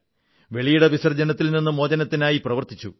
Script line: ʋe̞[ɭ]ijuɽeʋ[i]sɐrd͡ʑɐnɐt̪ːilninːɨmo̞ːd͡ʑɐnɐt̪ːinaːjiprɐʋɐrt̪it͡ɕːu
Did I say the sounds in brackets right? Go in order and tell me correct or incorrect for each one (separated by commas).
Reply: correct, correct